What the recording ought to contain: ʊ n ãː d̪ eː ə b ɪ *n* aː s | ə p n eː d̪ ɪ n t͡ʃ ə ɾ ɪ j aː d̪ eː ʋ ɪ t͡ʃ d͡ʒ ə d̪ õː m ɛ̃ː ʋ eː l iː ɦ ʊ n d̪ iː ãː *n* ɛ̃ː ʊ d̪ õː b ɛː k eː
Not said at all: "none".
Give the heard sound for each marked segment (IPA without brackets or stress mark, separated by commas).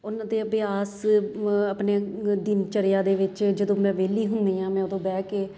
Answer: none, m